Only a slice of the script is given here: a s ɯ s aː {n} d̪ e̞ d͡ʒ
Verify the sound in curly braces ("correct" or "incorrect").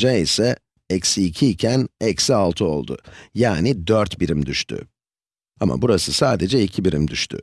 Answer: incorrect